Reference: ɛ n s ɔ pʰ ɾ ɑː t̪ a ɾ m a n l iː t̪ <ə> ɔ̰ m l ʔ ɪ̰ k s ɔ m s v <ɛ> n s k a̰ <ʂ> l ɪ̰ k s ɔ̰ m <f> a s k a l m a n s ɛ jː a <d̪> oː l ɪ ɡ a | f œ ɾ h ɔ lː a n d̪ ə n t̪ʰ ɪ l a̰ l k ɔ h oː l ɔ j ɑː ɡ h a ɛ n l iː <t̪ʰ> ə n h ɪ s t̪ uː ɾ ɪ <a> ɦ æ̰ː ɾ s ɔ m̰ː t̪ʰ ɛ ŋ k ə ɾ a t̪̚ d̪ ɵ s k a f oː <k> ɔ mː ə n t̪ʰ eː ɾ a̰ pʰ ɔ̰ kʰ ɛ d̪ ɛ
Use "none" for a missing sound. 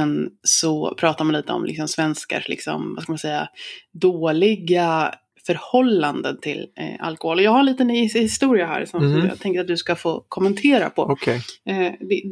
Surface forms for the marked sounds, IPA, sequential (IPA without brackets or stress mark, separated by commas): ə, ɛ, ʂ, v, d̪, t̪, a, kʰ